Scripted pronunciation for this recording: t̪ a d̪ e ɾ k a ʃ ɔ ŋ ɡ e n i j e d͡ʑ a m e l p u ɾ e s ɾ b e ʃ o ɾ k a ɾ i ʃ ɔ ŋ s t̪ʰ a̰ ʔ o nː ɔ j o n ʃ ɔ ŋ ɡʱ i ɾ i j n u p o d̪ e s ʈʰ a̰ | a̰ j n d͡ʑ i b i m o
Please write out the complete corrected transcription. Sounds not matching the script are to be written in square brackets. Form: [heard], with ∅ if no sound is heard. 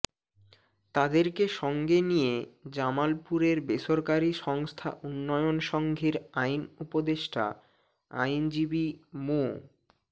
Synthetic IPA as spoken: t̪ a d̪ e ɾ k [e] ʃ ɔ ŋ ɡ e n i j e d͡ʑ a m [a] l p u ɾ e [∅] ɾ b e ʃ o ɾ k a ɾ i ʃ ɔ ŋ s t̪ʰ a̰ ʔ [u] nː ɔ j o n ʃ ɔ ŋ ɡʱ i ɾ [a] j n u p o d̪ e [ʃ] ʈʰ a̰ | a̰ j n d͡ʑ i b i m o

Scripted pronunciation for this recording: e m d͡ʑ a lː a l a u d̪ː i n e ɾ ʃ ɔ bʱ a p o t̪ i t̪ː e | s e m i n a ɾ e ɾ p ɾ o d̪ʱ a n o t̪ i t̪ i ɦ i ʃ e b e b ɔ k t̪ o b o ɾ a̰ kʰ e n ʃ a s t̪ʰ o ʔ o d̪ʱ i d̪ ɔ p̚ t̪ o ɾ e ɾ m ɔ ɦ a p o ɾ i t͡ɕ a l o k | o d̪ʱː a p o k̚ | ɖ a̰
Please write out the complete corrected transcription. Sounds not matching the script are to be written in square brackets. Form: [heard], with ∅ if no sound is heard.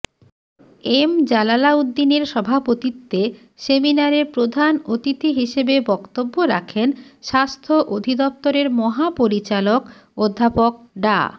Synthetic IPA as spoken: e m d͡ʑ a [l] a l a u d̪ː i n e ɾ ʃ ɔ bʱ a p o t̪ i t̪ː e | s e m i n a ɾ e ɾ p ɾ o d̪ʱ a n o t̪ i t̪ i ɦ i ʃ e b e b ɔ k t̪ o [bː] o ɾ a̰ kʰ e n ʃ a s t̪ʰ o ʔ o d̪ʱ i d̪ ɔ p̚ t̪ o ɾ e ɾ m ɔ ɦ a p o ɾ i t͡ɕ a l o k | o d̪ʱː a p o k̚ | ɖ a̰

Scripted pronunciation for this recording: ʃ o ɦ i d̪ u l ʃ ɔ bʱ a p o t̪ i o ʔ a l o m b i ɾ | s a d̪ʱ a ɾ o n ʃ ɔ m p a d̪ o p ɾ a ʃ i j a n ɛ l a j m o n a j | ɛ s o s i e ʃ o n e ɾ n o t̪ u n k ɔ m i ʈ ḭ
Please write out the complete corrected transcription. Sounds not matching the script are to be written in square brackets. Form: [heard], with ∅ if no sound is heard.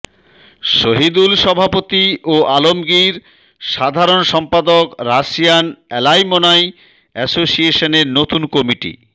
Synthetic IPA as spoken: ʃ o ɦ i d̪ u l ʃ ɔ bʱ a p o t̪ i o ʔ a l o m [ɡ] i ɾ | [ʃ] a d̪ʱ a ɾ o n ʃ ɔ m p a d̪ o [k] ɾ a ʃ i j a n ɛ l a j m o n a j | ɛ s o s i e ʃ o n e ɾ n o t̪ u n k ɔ m i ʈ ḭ

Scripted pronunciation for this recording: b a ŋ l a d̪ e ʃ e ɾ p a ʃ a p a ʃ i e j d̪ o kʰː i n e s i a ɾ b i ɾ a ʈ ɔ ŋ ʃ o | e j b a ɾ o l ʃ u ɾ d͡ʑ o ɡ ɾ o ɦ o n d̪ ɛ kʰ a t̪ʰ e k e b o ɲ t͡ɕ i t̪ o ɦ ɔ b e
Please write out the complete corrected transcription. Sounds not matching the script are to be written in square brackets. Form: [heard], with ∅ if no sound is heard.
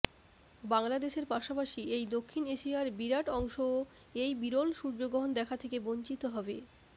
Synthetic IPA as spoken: b a ŋ l a d̪ e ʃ e ɾ p a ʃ a p a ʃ i e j d̪ o kʰː i n e [ʃ] i a ɾ b i ɾ a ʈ ɔ ŋ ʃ o | e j b [i] ɾ o l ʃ u ɾ d͡ʑ o ɡ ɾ o ɦ o n d̪ ɛ kʰ a t̪ʰ e k e b o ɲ t͡ɕ i t̪ o ɦ ɔ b e

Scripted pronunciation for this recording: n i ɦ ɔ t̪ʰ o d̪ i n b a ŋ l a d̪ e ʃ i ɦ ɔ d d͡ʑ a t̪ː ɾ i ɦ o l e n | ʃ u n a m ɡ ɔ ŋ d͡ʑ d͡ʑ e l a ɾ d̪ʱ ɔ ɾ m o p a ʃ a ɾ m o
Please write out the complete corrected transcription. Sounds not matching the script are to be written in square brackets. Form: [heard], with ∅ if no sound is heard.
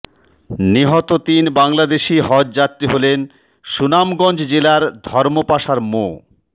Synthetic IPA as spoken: n i ɦ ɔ [t̪] o [t̪] i n b a ŋ l a d̪ e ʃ i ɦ ɔ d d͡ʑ a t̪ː ɾ i ɦ o l e n | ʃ u n a m ɡ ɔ [n] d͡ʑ d͡ʑ e l a ɾ d̪ʱ ɔ ɾ m o p a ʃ a ɾ m o

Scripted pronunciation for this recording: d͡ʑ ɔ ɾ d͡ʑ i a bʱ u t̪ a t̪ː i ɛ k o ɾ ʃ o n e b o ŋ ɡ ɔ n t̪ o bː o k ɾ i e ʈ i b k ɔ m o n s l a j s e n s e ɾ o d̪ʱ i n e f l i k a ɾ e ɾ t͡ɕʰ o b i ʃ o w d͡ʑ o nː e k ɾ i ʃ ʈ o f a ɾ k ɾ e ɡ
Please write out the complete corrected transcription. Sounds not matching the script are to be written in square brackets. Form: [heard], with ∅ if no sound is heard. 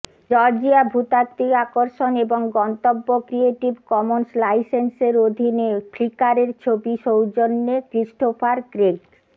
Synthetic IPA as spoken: d͡ʑ ɔ ɾ d͡ʑ i a bʱ u t̪ a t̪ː i [a] k o ɾ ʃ o n e b o ŋ ɡ ɔ n t̪ o bː o k ɾ i e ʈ i b k ɔ m o n s l a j s e n s e ɾ o d̪ʱ i n e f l i k a ɾ e ɾ t͡ɕʰ o b i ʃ o w d͡ʑ o nː e k ɾ i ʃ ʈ o f a ɾ k ɾ e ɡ

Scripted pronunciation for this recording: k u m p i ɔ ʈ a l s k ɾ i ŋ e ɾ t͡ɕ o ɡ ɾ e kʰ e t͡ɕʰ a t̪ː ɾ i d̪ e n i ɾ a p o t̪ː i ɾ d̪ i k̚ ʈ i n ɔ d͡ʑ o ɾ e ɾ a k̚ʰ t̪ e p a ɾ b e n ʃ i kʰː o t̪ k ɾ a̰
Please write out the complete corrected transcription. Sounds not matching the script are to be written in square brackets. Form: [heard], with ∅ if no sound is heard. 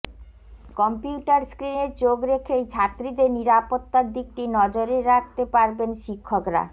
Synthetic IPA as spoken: k [ɔ] m p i [u] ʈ a [ɾ] s k ɾ i [n] e ɾ t͡ɕ o ɡ ɾ e kʰ e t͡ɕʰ a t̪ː ɾ i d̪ e n i ɾ a p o t̪ː [a] ɾ d̪ i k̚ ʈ i n ɔ d͡ʑ o ɾ e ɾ a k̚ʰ t̪ e p a ɾ b e n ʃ i kʰː o [∅] k ɾ a̰

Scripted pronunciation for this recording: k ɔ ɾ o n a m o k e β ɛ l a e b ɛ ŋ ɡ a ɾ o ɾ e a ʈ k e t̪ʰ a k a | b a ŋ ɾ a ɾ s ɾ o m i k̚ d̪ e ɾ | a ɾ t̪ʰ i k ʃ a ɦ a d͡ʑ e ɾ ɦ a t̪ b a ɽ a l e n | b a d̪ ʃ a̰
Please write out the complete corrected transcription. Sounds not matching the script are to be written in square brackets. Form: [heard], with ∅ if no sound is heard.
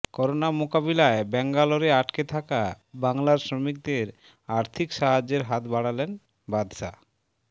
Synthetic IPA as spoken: k ɔ ɾ o n a m o k [a] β [i] l a e b ɛ ŋ ɡ a [l] o ɾ e a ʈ k e t̪ʰ a k a | b a ŋ [l] a ɾ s ɾ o m i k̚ d̪ e ɾ | a ɾ t̪ʰ i k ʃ a ɦ a d͡ʑ e ɾ ɦ a t̪ b a ɽ a l e n | b a d̪ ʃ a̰

